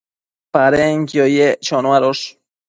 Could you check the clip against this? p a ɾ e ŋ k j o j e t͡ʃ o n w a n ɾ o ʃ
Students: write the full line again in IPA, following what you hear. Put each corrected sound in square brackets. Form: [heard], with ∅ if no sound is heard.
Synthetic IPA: p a ɾ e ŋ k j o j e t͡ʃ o n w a [∅] ɾ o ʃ